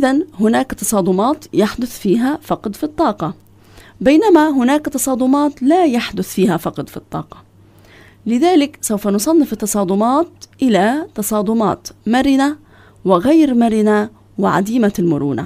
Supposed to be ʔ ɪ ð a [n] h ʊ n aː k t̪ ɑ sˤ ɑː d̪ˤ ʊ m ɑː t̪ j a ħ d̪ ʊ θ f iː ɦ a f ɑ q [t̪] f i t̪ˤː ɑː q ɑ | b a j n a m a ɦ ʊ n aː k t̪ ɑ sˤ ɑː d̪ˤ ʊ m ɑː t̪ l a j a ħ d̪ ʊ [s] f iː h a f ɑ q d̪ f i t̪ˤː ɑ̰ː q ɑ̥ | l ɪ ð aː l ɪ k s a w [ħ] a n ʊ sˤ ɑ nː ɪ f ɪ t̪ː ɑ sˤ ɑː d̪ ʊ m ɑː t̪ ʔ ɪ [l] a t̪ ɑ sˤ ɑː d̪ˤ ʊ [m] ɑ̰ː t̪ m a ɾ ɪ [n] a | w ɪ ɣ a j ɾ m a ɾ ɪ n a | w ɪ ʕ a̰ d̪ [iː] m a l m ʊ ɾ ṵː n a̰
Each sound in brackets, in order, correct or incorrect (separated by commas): correct, incorrect, incorrect, incorrect, correct, correct, correct, correct